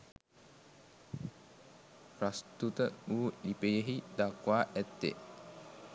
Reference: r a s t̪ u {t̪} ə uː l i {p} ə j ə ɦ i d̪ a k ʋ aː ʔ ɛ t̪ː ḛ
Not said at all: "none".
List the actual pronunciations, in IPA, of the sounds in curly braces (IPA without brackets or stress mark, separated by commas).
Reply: t̪, p